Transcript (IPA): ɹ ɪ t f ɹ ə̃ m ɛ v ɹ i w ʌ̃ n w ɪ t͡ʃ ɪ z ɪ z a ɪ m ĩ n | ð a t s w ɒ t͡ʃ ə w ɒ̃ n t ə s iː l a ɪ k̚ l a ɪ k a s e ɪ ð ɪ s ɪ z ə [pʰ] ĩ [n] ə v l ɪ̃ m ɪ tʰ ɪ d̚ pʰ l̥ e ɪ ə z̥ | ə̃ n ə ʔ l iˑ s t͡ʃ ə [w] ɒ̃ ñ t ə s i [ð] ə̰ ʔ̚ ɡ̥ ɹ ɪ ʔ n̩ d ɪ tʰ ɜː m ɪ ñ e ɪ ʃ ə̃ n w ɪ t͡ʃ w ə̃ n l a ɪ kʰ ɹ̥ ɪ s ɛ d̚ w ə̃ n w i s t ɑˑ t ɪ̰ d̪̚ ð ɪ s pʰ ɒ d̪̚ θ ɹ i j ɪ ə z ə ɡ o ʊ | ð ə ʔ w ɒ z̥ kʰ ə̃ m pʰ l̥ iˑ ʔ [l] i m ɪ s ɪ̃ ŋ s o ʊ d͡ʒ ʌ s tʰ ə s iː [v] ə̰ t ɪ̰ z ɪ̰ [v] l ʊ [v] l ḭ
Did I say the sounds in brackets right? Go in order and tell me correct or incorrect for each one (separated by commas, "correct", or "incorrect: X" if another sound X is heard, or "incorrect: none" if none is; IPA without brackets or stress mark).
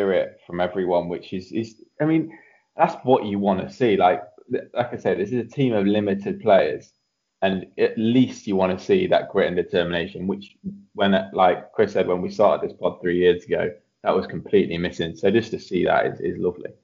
incorrect: tʰ, incorrect: m, correct, correct, correct, incorrect: ð, incorrect: z, correct